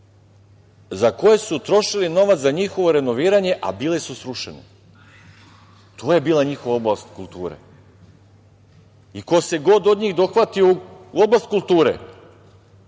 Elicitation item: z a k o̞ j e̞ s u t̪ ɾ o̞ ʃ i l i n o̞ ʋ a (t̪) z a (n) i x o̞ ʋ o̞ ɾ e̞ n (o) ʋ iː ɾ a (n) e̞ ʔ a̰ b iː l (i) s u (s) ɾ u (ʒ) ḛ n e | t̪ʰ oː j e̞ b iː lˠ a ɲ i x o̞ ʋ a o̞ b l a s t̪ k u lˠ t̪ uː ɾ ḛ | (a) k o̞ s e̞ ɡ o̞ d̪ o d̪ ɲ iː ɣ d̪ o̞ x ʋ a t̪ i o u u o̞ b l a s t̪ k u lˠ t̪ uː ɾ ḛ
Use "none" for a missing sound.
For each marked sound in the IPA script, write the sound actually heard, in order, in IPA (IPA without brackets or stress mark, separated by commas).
t̪, ɲ, o, ɲ, e, s, ʃ, i